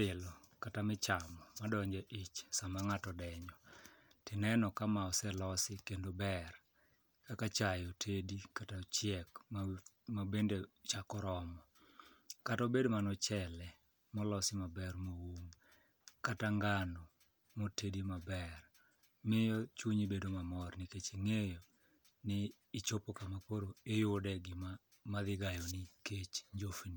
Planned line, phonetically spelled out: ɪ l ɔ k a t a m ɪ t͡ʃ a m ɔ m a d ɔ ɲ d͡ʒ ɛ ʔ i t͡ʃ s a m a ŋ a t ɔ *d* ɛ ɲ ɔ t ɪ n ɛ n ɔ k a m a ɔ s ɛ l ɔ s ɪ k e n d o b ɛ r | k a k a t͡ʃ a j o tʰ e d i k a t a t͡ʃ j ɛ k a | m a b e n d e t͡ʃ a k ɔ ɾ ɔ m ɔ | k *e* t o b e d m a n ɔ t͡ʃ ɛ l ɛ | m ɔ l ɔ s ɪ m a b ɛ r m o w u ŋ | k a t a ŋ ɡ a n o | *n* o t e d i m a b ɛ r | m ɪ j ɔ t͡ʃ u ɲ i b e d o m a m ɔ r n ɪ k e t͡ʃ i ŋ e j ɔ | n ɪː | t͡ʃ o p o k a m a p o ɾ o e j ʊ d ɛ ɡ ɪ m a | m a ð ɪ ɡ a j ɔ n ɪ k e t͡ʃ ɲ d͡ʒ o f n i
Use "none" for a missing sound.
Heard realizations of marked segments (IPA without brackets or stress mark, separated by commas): d, a, m